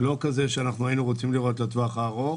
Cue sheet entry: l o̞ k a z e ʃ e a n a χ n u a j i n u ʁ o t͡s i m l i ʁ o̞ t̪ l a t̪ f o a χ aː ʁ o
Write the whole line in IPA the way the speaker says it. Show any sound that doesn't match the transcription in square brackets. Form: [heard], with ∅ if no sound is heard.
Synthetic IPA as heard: l o̞ k a z e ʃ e a n a χ n u a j i n u ʁ o t͡s i m l i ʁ o̞ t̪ l a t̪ [v] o a χ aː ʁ o